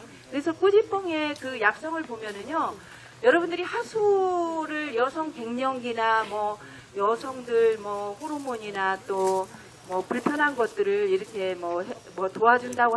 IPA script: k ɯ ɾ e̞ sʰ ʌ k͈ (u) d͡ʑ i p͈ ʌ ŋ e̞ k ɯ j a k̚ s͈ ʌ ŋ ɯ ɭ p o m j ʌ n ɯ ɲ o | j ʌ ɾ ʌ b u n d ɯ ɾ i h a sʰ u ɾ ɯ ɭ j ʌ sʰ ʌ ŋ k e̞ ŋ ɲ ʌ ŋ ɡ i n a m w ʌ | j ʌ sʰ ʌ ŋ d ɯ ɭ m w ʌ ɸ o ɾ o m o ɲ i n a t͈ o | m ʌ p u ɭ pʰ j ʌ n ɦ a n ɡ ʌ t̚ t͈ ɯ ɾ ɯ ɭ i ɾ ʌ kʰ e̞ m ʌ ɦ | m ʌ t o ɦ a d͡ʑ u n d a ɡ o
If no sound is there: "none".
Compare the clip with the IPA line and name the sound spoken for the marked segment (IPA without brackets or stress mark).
u